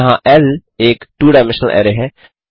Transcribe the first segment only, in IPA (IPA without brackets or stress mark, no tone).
ɦ